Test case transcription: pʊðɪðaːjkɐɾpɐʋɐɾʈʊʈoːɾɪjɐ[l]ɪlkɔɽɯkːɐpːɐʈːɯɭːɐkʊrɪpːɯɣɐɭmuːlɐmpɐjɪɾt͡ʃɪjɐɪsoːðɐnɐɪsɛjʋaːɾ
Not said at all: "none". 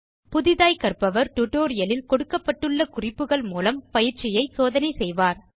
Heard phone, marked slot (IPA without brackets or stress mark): l